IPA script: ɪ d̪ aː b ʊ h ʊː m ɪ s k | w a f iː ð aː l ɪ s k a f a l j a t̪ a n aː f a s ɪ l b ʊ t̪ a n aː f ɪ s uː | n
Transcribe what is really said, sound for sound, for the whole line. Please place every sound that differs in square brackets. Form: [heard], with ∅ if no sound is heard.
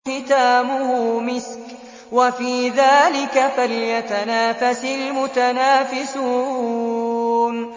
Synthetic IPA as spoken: ɪ [t̪] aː [m] ʊ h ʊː m ɪ s k | w a f iː ð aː l ɪ [∅] k a f a l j a t̪ a n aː f a s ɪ l [m] ʊ t̪ a n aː f ɪ s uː | n